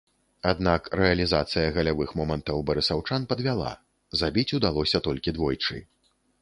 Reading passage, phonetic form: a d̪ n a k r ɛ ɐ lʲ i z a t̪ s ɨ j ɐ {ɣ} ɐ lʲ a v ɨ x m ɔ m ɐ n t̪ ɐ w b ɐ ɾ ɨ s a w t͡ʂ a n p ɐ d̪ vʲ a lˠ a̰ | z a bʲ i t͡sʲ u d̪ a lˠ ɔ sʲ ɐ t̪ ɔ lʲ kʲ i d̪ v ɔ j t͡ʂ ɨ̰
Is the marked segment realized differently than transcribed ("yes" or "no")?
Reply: no